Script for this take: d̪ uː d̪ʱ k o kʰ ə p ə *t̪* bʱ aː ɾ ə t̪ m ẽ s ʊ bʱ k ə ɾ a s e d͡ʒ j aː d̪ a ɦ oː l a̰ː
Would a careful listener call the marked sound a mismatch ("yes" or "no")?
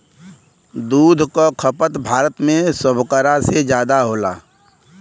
no